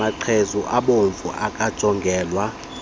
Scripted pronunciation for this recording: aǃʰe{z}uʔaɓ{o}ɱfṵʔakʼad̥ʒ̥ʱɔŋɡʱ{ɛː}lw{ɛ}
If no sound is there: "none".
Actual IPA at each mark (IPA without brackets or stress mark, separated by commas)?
z, o, ɛː, a